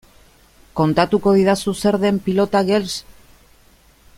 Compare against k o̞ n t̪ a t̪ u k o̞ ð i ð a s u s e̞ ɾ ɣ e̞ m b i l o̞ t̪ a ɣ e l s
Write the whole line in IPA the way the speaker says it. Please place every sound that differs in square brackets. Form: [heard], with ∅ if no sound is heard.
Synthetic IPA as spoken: k o̞ n t̪ a t̪ u k o̞ ð i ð a s u s e̞ ɾ [ð] e̞ m [p] i l o̞ t̪ a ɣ e l s